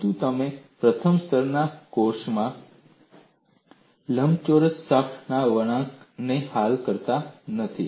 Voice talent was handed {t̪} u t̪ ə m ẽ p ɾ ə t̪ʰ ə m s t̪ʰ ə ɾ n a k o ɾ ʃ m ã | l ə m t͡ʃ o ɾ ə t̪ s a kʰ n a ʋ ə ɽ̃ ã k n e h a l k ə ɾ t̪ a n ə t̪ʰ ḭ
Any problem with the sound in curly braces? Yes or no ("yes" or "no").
no